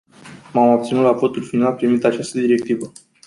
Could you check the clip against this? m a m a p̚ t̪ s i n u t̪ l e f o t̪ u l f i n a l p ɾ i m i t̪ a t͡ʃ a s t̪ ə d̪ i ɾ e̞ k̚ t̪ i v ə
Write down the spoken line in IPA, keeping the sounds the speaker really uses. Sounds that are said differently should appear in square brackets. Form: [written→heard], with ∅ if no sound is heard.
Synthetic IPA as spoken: m a m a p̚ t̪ s i n u t̪ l [e→a] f o t̪ u l f i n a l p ɾ i m i t̪ a t͡ʃ a s t̪ ə d̪ i ɾ e̞ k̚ t̪ i v ə